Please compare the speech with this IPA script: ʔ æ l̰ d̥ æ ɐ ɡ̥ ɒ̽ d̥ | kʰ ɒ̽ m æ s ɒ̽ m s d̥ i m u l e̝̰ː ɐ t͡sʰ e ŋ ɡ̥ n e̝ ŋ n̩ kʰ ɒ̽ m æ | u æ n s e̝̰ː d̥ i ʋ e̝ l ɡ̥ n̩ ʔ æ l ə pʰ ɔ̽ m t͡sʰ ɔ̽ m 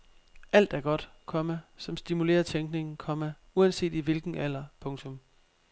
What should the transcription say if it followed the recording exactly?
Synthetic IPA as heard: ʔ æ l̰ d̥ æ ɐ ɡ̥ ɒ̽ d̥ | kʰ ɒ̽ m æ s ɒ̽ m s d̥ i m u l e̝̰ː ɐ t͡sʰ e ŋ ɡ̥ n e̝ ŋ n̩ kʰ ɒ̽ m æ | u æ n s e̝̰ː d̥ i ʋ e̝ l ɡ̥ n̩ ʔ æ l ɐ pʰ ɔ̽ ŋ t͡sʰ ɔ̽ m